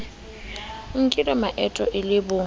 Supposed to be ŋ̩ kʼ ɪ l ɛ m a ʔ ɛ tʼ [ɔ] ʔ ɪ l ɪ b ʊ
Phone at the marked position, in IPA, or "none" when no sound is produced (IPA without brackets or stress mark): ɔ